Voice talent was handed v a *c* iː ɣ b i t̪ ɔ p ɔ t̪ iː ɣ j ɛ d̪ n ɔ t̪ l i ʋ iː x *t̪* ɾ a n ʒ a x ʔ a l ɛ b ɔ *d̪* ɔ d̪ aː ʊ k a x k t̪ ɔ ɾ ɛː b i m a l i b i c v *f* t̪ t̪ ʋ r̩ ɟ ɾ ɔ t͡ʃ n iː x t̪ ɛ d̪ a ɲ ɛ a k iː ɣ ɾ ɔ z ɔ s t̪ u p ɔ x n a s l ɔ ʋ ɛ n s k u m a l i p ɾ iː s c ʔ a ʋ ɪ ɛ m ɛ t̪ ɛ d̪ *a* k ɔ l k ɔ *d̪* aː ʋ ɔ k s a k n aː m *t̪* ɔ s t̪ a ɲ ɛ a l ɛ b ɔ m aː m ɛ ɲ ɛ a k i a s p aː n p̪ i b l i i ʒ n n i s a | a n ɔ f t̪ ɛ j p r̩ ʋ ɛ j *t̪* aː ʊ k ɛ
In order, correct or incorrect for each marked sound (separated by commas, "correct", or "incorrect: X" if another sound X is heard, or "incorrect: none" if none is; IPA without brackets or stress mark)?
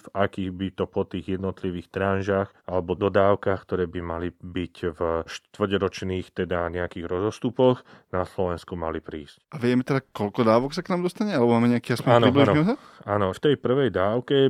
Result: incorrect: k, correct, correct, incorrect: ʃ, correct, correct, incorrect: d̪, incorrect: d̪